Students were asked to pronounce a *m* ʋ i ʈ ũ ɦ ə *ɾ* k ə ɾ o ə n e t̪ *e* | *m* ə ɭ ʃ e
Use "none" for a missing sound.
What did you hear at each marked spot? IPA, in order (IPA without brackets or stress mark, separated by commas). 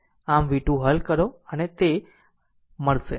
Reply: m, l, e, m